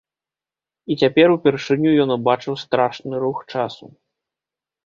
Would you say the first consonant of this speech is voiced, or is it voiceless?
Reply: voiceless